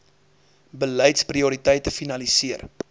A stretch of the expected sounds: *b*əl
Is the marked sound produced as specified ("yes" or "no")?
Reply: yes